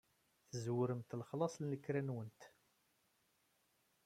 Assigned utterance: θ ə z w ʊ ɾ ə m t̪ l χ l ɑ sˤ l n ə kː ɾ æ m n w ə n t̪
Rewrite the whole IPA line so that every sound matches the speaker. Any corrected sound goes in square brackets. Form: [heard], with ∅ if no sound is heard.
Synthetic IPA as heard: θ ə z w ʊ ɾ ə m t̪ l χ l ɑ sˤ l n ə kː ɾ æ [∅] n w ə n t̪